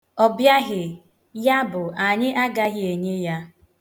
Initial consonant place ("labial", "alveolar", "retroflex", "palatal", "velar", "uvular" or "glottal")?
labial